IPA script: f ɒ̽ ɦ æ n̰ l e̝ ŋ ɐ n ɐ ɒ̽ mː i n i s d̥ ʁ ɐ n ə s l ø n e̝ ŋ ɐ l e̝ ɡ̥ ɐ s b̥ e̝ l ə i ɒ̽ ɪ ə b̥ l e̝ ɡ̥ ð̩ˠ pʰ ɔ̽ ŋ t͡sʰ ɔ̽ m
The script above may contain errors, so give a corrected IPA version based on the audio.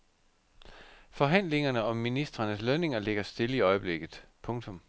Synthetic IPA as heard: f ɒ̽ ɦ æ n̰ l e̝ ŋ ɐ n ə ɒ̽ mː i n i s d̥ ʁ ɐ n ə s l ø n e̝ ŋ ɐ l e̝ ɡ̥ ɐ s d̥ e̝ l ə i ɒ̽ ɪ ə b̥ l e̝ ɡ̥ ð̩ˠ pʰ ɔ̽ ŋ t͡sʰ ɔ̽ m